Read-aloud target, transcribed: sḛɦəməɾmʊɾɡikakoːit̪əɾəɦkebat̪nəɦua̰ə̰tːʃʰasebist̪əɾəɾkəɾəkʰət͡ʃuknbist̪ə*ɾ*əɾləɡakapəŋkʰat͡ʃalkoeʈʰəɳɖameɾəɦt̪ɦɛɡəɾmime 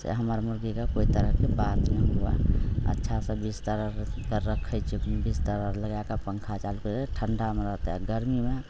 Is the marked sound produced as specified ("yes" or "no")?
yes